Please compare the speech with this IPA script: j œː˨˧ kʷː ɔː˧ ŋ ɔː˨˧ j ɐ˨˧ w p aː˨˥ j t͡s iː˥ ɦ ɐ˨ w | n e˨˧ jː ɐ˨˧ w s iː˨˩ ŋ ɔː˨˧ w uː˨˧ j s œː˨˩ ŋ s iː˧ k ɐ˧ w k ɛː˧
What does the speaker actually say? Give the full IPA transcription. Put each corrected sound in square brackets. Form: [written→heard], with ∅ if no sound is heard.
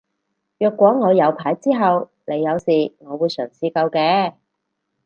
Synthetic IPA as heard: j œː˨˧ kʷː [ɔː˧→ɔː˨˥] ŋ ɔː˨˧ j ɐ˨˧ w [p→pʰ] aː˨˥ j t͡s iː˥ ɦ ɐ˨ w | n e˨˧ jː ɐ˨˧ w s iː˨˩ ŋ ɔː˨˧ w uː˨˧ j s œː˨˩ ŋ s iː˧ k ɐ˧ w k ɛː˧